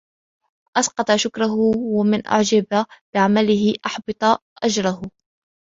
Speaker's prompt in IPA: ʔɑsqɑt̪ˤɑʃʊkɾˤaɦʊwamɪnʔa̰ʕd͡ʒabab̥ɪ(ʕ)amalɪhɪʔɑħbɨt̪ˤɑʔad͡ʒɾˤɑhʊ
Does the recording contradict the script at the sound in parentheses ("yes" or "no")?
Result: no